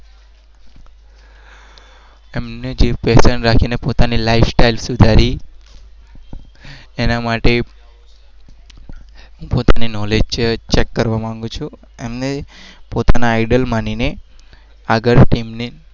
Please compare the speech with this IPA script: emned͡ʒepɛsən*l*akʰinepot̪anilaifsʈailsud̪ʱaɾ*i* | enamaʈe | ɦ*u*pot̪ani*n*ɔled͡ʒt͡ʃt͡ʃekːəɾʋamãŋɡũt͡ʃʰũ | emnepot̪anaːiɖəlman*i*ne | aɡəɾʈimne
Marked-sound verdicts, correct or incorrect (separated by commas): incorrect, correct, incorrect, correct, correct